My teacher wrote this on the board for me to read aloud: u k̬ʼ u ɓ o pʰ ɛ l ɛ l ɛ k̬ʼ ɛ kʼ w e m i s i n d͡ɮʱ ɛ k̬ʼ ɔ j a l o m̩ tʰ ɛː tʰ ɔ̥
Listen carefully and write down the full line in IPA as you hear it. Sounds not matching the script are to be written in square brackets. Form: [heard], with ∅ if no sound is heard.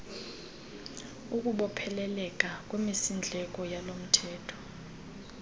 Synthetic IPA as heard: u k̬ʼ u ɓ [ɔ] pʰ ɛ l ɛ l ɛ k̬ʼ [a] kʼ w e m i s i n d͡ɮʱ ɛ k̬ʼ ɔ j a l o m̩ tʰ ɛː tʰ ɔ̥